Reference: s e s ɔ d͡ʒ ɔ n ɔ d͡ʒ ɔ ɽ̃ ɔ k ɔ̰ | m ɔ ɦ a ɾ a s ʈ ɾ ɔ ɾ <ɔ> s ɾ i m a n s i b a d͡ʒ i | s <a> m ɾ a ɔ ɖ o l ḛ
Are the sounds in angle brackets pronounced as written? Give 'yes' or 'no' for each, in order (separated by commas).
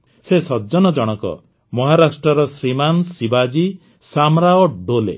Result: yes, yes